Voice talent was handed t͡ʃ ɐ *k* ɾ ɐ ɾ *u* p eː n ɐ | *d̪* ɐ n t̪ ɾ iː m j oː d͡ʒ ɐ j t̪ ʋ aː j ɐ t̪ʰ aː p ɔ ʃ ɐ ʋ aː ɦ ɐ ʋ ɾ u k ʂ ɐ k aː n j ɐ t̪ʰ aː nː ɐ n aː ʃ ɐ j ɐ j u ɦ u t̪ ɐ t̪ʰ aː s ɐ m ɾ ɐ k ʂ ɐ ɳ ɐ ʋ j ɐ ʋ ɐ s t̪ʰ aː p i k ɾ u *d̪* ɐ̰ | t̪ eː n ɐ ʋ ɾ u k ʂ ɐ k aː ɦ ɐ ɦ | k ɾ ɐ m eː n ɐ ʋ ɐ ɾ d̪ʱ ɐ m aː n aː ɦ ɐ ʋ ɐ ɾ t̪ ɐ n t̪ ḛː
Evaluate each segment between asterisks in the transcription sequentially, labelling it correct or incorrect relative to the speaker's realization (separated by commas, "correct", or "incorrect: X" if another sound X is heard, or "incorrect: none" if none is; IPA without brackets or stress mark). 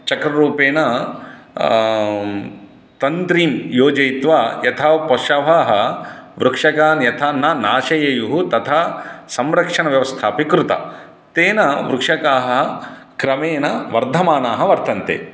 correct, incorrect: uː, incorrect: t̪, incorrect: t̪